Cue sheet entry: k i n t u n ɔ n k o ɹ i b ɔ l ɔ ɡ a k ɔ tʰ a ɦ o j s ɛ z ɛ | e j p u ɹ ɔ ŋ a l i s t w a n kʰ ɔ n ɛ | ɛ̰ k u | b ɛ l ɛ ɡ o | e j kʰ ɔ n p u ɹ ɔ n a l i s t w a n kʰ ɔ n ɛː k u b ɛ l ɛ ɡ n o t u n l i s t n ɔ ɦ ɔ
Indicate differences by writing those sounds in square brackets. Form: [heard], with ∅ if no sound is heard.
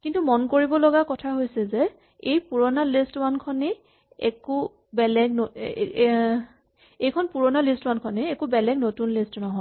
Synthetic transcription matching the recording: k i n t u [m] ɔ n k o ɹ i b ɔ l ɔ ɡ a k ɔ tʰ a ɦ o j s ɛ z ɛ | e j p u ɹ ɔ [n] a l i s t w a n kʰ ɔ n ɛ | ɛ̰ k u | b ɛ l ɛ ɡ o | e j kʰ ɔ n p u ɹ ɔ n a l i s t w a n kʰ ɔ n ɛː k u b ɛ l ɛ ɡ n o t u n l i s t n ɔ ɦ ɔ